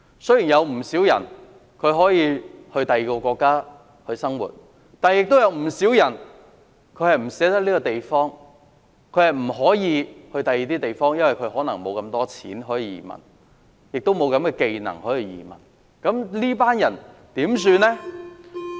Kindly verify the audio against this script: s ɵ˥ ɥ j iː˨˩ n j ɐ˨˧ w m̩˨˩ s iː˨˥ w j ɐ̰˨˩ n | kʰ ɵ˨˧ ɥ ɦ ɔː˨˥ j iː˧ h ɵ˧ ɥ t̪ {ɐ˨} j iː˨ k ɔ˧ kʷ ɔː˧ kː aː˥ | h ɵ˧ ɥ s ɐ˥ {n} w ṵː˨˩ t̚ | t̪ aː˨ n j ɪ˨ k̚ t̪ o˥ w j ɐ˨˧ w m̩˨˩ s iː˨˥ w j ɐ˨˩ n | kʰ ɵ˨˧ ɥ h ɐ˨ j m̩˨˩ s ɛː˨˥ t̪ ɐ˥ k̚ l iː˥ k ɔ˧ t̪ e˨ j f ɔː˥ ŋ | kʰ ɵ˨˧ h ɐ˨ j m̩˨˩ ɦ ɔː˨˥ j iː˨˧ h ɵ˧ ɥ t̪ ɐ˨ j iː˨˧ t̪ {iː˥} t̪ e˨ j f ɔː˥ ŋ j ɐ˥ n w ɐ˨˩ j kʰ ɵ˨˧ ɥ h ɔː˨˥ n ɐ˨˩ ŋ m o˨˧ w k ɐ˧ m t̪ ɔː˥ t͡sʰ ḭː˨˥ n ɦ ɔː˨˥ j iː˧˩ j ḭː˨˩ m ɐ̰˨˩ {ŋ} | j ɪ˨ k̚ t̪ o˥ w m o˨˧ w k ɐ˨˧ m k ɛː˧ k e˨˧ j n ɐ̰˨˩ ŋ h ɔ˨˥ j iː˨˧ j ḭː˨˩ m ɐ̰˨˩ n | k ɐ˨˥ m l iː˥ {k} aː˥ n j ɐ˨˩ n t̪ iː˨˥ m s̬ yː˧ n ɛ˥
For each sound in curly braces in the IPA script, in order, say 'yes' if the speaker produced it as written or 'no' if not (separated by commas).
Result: yes, no, yes, no, no